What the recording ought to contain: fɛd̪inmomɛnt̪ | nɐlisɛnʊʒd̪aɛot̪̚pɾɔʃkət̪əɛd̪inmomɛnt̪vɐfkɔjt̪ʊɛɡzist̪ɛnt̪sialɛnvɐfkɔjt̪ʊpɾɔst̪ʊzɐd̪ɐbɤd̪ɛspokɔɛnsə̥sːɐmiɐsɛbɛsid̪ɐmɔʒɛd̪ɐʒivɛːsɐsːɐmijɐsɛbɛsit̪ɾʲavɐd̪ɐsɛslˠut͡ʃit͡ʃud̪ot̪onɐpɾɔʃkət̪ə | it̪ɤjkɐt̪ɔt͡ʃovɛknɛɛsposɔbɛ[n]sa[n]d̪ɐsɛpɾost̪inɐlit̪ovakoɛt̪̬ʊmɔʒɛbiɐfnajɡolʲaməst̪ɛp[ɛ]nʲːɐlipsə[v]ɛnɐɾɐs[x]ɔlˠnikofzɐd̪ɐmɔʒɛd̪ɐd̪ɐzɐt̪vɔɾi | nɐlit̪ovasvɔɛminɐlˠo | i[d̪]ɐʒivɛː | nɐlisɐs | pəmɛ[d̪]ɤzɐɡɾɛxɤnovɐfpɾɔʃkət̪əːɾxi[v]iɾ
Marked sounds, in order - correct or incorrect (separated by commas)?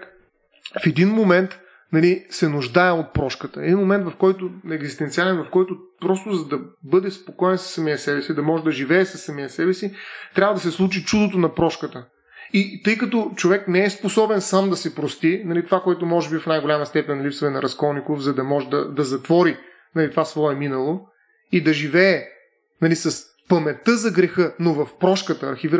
correct, incorrect, correct, correct, incorrect, correct, incorrect, correct